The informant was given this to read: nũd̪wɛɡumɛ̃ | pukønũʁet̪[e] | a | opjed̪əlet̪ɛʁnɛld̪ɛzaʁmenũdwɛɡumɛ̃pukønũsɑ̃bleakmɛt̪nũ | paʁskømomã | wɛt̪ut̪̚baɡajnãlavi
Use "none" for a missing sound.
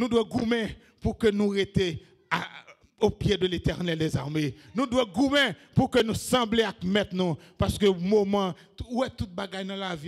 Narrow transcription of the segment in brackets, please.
e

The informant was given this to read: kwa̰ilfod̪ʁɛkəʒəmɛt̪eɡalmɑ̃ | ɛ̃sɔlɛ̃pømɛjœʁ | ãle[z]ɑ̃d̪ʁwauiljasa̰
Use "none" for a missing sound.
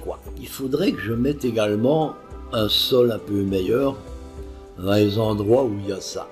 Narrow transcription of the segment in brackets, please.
z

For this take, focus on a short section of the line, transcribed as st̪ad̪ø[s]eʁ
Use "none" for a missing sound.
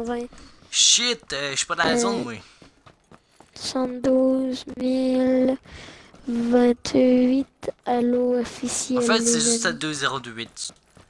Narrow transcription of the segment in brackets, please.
z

